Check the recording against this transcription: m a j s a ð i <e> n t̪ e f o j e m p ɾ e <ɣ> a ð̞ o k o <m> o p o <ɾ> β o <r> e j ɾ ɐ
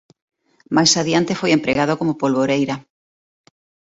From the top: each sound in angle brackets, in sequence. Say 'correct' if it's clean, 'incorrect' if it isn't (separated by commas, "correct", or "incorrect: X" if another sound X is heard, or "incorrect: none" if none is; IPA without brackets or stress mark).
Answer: incorrect: a, correct, correct, incorrect: l, incorrect: ɾ